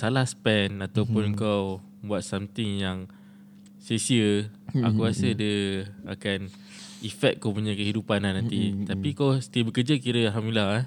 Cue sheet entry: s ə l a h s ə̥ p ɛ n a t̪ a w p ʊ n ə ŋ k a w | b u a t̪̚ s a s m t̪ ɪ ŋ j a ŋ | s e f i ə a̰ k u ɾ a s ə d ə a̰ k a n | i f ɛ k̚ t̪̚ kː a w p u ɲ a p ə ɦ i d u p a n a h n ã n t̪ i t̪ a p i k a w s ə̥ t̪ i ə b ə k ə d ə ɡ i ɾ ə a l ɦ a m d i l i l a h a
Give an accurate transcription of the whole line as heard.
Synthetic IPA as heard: s a l a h s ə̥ p ɛ n a t̪ a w p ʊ n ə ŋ k a w | b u a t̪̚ s a m t̪ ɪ ŋ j a ŋ | s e s i ə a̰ k u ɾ a s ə d ə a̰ k a n | i f ɛ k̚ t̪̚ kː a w p u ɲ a k ə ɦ i d u p a n a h n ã n t̪ i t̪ a p i k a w s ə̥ t̪ i ə b ə k ə d͡ʒ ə k i ɾ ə a l ɦ a m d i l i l a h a